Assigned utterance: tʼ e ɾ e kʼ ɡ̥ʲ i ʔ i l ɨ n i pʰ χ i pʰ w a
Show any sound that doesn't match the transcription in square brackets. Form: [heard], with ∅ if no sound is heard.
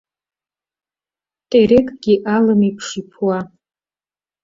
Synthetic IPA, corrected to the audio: tʼ e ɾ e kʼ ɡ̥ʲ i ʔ [a] l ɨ [m] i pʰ [ʂ] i pʰ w a